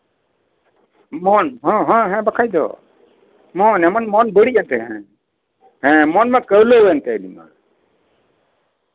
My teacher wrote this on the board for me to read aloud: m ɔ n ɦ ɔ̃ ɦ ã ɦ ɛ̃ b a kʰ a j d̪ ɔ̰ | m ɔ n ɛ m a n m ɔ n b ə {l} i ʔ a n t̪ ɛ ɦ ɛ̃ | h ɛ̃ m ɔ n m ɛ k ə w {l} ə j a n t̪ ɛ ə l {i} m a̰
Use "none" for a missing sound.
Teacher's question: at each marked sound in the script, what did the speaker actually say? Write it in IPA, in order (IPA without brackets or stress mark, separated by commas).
ɽ, l, i